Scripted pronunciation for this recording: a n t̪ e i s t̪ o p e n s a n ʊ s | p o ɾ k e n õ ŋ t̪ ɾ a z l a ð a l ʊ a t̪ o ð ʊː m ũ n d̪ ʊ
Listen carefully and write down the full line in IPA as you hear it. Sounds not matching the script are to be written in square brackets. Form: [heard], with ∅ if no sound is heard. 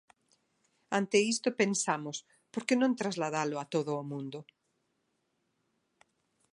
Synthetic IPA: a n t̪ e i s t̪ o p e n s a [m] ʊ s | p o ɾ k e n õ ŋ t̪ ɾ a z l a ð a l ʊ a t̪ o ð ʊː m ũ n d̪ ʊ